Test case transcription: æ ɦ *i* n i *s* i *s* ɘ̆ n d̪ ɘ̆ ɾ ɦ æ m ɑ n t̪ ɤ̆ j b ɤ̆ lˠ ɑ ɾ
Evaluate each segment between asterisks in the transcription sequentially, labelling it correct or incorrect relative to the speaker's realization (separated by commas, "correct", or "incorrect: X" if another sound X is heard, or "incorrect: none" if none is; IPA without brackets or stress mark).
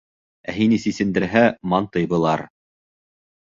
correct, correct, correct